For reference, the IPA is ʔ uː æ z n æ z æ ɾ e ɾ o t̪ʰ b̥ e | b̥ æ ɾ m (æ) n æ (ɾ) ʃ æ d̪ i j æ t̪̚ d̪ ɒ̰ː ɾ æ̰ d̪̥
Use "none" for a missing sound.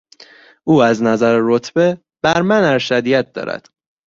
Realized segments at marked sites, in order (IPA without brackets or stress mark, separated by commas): æ, ɾ